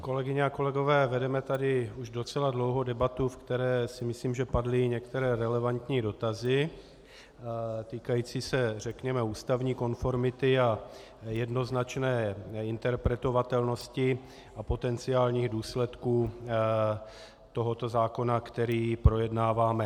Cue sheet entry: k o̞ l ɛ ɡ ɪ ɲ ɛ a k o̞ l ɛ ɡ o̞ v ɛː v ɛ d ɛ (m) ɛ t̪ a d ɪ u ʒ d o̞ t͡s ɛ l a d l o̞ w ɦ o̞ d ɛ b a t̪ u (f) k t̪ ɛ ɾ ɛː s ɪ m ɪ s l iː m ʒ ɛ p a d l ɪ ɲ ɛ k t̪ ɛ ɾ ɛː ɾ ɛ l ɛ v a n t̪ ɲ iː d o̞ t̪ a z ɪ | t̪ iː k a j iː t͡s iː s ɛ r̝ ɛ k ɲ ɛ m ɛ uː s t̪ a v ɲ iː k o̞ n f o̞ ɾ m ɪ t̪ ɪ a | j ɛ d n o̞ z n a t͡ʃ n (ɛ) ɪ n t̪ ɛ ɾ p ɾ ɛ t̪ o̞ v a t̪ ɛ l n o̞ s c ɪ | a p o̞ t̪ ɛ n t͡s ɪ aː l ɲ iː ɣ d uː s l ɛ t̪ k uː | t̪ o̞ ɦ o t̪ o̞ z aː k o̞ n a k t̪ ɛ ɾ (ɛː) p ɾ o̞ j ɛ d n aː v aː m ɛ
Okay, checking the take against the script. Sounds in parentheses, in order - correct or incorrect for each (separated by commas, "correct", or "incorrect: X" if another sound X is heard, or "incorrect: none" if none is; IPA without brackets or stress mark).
correct, correct, incorrect: ɛː, incorrect: iː